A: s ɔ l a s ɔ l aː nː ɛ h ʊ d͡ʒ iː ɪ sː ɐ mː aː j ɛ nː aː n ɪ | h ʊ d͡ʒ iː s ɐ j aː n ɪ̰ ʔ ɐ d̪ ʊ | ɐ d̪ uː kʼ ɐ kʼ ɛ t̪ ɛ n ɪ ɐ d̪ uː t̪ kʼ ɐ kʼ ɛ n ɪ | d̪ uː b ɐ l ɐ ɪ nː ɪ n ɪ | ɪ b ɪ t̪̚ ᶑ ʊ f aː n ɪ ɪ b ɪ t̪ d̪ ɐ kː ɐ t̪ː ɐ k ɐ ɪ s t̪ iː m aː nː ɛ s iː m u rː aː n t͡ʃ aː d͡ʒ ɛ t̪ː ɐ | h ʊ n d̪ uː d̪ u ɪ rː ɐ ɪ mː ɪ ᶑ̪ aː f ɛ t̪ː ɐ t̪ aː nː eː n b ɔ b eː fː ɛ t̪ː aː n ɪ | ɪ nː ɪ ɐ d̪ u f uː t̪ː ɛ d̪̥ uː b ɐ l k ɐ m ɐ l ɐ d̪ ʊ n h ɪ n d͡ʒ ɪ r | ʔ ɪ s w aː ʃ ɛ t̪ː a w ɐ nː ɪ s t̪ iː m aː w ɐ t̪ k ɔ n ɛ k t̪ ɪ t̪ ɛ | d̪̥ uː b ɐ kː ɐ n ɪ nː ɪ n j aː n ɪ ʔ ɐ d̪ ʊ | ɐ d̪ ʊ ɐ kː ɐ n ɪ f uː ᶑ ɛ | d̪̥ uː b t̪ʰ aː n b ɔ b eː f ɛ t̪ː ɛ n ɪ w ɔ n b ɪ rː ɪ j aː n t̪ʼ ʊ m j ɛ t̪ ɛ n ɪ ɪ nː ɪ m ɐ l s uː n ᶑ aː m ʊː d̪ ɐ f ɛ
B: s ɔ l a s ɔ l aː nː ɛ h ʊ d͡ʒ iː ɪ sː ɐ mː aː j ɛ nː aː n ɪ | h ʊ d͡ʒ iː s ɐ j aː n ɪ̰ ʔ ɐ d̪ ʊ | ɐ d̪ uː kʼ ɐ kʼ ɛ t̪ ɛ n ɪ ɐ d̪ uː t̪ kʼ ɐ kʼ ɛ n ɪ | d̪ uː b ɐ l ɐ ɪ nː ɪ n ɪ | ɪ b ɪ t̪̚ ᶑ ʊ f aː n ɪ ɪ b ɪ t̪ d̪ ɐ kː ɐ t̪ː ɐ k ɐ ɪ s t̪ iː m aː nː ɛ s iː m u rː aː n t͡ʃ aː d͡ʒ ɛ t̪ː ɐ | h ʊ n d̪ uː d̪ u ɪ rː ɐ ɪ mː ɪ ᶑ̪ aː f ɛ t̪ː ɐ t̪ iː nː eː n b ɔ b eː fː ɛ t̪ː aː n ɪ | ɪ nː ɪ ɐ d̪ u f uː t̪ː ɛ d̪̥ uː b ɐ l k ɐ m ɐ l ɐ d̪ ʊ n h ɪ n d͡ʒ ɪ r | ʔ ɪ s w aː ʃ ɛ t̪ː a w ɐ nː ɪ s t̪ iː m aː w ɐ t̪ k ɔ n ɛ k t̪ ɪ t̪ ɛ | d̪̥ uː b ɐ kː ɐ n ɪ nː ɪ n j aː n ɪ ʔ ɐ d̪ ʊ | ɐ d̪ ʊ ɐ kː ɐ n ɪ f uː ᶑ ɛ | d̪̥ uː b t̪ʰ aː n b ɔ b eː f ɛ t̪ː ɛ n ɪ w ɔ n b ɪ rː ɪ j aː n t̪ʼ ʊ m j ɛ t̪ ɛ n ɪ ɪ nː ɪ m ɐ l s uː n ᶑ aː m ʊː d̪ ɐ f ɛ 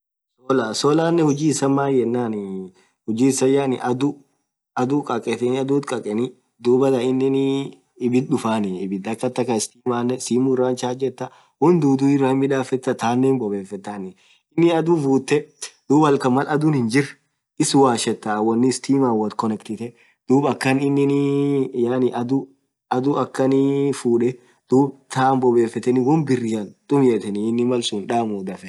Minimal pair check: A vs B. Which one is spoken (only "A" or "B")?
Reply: A